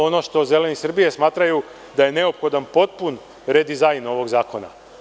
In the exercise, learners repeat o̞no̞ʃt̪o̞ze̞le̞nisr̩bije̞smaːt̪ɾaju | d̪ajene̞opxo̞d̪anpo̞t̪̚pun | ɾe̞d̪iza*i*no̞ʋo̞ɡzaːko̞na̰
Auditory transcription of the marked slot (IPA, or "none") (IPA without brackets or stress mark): j